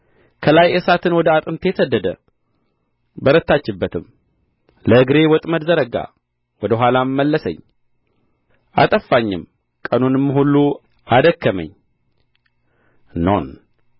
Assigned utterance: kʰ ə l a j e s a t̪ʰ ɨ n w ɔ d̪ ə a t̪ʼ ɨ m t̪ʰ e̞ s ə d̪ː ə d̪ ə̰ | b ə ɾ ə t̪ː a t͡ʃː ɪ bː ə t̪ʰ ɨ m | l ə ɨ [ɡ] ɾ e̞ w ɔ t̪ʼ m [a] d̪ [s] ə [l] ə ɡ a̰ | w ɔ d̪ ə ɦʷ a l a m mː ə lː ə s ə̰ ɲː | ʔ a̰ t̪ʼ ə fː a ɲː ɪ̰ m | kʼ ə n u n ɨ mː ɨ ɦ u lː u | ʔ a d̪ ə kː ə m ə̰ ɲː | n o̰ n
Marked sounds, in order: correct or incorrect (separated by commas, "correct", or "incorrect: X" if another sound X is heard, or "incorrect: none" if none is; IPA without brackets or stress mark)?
correct, incorrect: ə, incorrect: z, incorrect: ɾ